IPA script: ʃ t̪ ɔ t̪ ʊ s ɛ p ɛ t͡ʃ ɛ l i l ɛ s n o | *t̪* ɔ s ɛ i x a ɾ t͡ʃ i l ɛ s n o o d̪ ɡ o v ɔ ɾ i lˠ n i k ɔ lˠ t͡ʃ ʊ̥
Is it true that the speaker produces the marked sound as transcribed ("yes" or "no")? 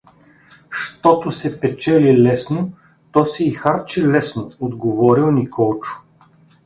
yes